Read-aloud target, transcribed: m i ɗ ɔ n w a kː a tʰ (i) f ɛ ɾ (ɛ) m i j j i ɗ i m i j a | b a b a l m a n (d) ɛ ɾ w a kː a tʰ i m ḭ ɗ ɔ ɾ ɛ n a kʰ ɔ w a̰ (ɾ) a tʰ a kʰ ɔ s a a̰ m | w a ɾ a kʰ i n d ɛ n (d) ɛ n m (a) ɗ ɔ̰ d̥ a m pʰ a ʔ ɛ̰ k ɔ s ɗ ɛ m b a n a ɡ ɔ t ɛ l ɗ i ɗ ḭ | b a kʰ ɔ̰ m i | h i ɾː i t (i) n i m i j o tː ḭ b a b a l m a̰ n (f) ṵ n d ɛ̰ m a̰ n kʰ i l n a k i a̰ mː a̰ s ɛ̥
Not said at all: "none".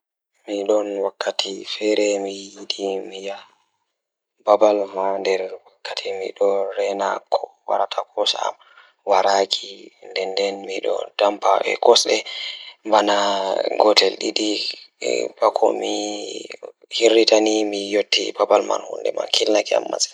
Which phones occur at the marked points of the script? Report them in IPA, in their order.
i, ɛ, d, ɾ, d, i, a, h

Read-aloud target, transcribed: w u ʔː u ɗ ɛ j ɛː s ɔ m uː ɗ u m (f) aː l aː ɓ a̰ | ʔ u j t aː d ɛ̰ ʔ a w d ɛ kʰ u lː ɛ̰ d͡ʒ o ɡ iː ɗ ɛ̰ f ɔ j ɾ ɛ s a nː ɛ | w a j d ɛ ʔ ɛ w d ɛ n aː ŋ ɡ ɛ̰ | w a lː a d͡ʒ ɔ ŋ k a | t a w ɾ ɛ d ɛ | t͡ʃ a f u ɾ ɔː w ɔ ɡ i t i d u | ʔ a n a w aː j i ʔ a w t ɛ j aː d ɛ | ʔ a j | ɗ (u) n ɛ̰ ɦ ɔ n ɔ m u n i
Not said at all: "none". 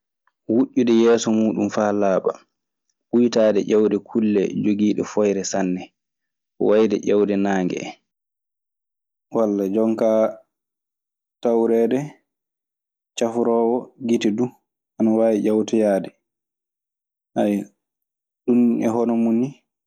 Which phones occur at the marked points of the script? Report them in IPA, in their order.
f, u

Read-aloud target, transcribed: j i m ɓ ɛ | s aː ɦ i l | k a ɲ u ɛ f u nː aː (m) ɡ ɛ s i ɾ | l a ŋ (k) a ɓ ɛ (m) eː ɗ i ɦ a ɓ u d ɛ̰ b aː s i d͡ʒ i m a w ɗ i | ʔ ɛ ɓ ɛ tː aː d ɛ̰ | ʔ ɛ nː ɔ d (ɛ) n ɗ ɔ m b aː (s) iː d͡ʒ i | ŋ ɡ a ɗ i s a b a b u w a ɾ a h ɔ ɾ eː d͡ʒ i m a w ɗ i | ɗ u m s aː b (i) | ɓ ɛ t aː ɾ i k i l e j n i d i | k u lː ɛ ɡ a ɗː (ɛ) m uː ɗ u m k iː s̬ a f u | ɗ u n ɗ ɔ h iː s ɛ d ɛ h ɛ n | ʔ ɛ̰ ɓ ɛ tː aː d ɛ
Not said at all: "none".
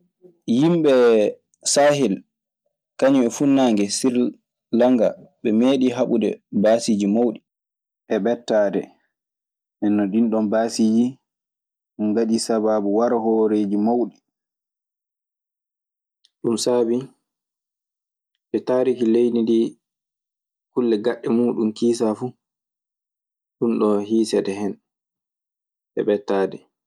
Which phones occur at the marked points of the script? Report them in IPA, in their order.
ŋ, ɡ, m, i, s, i, ɛ

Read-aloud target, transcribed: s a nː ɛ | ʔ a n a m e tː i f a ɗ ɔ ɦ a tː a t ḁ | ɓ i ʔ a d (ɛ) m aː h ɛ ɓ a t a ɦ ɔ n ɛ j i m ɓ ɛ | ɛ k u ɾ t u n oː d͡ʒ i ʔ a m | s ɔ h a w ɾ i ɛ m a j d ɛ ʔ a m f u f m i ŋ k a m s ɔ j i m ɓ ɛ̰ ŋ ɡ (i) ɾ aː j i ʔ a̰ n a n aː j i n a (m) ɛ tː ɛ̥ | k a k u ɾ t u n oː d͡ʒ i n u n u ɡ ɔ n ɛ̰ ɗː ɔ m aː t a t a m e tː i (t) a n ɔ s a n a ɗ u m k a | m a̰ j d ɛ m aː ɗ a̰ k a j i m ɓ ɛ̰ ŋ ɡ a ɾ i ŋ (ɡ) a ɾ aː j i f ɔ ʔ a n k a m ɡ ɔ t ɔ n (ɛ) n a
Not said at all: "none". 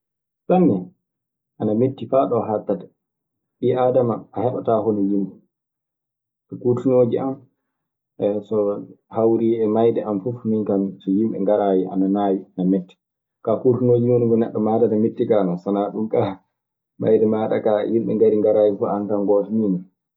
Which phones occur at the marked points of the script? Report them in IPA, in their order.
a, a, m, k, ɡ, i

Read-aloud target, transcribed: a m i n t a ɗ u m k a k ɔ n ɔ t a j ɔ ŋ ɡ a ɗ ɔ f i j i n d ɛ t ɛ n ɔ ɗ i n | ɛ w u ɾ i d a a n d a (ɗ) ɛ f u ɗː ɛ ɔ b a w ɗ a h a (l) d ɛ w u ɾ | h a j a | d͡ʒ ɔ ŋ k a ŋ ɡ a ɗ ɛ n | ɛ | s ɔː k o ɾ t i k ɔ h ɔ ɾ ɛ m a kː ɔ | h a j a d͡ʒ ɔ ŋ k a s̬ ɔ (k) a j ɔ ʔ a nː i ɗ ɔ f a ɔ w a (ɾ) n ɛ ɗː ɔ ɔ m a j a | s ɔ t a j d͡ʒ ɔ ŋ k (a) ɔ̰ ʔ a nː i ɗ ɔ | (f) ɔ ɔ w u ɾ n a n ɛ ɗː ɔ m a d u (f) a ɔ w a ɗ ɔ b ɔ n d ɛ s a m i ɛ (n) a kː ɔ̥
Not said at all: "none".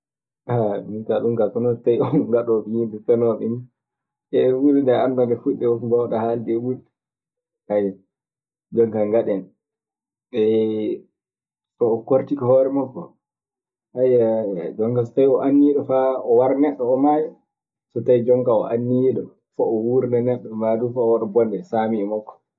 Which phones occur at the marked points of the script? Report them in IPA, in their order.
d, l, t, ɾ, a, f, f, m

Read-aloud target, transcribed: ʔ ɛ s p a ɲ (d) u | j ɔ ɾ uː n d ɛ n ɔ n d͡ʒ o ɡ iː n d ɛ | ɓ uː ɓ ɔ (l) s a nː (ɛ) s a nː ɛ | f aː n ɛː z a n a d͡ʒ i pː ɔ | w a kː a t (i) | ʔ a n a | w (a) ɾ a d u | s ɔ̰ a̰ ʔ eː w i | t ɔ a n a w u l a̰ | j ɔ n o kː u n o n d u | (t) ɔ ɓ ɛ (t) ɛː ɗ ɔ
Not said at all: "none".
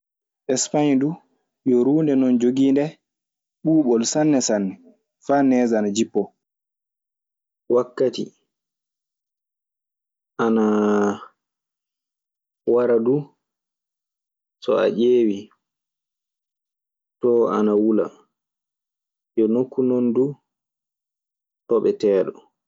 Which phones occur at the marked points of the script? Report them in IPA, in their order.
d, l, ɛ, i, a, t, t

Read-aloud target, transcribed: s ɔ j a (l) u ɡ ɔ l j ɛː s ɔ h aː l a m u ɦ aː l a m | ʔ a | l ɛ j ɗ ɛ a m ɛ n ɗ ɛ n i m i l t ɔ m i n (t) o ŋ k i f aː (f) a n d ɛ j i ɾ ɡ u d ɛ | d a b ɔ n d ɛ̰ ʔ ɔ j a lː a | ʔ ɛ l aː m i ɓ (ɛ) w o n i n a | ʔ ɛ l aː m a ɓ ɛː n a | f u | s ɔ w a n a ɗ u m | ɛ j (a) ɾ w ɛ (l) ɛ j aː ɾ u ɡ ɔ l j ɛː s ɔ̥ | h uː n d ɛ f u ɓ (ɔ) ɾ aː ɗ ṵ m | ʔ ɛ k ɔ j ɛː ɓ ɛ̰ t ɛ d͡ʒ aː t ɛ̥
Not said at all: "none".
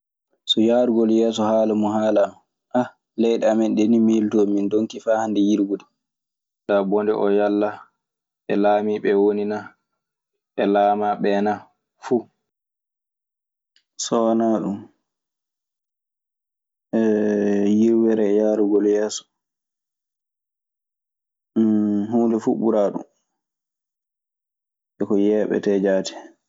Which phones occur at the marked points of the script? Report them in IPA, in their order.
ɾ, d, h, ɛ, i, ɾ, u

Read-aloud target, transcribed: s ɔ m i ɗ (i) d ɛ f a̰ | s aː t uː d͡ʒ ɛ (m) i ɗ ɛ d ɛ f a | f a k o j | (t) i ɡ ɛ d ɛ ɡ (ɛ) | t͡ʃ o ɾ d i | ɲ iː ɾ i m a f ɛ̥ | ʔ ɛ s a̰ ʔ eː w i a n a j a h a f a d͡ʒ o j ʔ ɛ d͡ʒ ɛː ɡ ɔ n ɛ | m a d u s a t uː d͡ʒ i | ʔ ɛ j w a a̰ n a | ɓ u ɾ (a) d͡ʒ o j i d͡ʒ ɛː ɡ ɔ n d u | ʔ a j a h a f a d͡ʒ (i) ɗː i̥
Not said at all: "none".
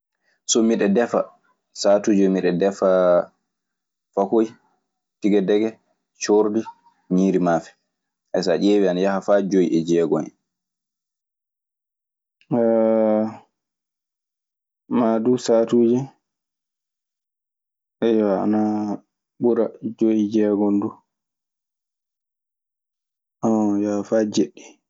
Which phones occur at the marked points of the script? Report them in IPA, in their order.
ɛ, m, t, ɛ, a, e

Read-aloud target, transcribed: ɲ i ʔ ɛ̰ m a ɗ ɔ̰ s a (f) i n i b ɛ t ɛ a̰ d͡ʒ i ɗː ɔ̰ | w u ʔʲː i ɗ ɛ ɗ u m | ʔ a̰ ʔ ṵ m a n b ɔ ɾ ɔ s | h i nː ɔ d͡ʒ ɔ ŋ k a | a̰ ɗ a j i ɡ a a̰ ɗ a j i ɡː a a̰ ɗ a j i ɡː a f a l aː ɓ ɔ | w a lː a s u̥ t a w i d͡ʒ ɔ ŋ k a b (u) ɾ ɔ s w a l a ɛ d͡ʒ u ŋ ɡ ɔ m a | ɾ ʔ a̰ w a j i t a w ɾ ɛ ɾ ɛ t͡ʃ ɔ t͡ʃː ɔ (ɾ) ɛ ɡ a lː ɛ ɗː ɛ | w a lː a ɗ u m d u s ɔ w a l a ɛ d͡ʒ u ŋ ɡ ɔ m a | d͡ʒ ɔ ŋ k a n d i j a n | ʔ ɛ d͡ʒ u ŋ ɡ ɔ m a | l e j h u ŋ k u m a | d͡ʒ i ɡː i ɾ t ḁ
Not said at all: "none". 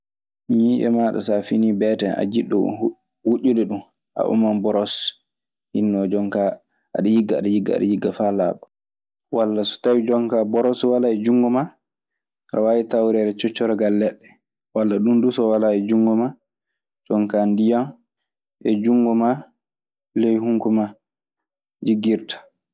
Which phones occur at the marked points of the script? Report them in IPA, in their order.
f, ɔ, ɾ

